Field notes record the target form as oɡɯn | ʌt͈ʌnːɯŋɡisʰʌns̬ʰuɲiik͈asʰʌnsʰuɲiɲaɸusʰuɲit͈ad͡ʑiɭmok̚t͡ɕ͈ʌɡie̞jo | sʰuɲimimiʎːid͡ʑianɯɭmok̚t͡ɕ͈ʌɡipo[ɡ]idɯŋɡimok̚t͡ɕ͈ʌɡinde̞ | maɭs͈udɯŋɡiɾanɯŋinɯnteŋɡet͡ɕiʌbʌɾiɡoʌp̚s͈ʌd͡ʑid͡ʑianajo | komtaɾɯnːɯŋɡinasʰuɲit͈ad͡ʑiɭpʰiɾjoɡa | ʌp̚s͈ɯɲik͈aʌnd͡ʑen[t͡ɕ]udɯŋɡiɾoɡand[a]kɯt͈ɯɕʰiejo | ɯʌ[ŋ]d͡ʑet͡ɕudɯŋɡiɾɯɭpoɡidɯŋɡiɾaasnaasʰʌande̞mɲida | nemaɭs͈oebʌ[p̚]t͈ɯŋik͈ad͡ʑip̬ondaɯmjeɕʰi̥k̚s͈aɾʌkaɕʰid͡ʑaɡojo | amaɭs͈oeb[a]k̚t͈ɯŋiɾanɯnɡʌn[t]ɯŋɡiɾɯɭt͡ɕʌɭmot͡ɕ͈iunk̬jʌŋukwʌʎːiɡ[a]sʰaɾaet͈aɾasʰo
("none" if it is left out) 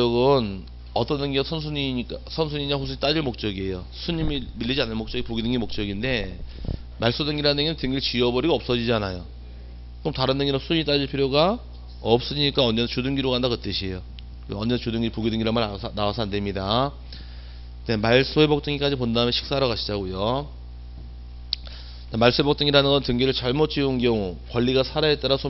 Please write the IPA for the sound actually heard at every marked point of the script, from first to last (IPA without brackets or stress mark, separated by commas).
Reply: ɡ, t͡ɕ, a, n, k̚, ʌ, t, a